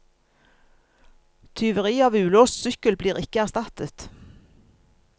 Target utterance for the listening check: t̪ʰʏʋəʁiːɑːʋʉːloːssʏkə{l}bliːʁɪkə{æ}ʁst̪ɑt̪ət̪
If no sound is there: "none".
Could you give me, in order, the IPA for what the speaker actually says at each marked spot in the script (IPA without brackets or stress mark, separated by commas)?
l, æ